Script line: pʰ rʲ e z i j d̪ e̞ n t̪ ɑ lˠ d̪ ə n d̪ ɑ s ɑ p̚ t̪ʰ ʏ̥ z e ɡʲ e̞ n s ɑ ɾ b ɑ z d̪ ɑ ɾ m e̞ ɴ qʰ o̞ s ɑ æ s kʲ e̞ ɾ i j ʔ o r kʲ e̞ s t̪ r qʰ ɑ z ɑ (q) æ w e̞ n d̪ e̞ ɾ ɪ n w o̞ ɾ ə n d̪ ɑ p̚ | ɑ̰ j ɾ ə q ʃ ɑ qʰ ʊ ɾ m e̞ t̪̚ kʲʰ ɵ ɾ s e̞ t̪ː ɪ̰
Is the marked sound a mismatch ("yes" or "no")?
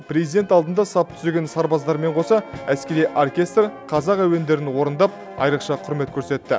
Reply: no